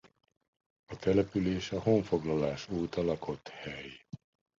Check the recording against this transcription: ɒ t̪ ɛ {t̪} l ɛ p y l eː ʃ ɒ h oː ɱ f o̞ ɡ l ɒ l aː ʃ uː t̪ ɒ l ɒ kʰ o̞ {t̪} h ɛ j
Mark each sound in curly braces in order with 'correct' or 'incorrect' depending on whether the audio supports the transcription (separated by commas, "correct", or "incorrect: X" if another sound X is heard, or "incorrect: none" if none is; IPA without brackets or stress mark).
incorrect: none, correct